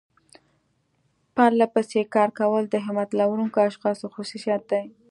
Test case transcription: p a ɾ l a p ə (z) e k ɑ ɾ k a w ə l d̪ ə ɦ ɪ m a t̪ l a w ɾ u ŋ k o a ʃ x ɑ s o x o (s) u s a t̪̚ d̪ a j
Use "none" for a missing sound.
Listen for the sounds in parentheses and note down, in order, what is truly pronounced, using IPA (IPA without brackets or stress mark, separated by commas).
s, s